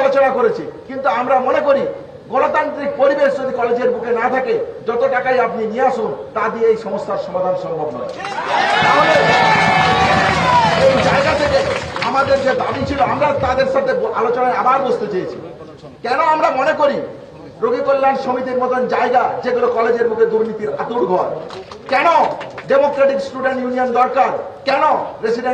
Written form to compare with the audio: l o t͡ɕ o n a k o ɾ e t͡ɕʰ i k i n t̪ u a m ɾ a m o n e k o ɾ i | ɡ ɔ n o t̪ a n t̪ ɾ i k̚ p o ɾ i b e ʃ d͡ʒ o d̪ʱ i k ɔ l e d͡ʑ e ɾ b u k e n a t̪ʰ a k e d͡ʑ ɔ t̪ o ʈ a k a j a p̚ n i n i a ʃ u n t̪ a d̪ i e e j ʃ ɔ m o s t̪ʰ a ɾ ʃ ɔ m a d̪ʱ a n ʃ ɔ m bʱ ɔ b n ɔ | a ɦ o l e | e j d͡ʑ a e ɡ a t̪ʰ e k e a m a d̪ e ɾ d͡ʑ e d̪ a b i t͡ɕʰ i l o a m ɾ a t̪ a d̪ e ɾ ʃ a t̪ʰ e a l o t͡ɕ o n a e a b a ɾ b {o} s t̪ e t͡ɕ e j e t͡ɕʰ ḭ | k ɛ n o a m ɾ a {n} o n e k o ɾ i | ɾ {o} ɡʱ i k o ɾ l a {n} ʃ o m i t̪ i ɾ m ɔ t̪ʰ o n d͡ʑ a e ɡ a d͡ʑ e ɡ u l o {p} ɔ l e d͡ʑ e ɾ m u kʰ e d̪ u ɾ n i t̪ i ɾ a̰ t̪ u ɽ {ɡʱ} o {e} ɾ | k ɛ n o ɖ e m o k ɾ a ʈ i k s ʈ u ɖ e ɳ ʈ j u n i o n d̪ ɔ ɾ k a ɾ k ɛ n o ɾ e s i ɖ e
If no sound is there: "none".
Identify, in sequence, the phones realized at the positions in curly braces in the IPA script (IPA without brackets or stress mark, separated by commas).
o, m, o, n, k, ɡʱ, a